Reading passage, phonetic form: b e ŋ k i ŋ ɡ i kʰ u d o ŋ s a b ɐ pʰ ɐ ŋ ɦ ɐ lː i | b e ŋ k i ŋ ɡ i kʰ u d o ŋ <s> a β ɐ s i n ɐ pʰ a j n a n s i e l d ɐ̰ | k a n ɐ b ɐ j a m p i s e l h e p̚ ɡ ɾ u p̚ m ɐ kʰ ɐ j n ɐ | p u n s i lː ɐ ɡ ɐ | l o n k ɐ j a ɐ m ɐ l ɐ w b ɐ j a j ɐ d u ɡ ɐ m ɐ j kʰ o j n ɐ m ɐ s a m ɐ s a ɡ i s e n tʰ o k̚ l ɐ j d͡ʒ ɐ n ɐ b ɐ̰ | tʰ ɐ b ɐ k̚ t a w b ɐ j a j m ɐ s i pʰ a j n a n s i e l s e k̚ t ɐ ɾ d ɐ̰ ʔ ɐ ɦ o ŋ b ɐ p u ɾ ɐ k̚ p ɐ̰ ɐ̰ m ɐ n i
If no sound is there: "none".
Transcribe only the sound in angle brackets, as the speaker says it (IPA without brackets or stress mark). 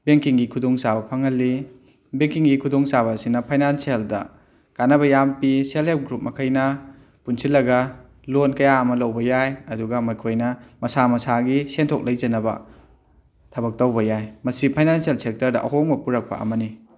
s